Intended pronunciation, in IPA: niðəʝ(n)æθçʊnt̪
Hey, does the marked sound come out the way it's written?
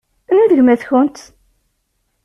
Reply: no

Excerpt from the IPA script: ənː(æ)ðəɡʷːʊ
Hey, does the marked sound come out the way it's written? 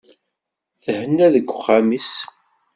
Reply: yes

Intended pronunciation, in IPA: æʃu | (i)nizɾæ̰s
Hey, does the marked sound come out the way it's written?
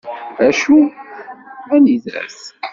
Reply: no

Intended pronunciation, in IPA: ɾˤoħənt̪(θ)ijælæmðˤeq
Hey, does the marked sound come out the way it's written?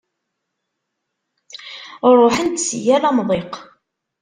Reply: no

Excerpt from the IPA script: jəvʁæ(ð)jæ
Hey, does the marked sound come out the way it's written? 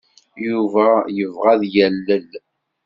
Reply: yes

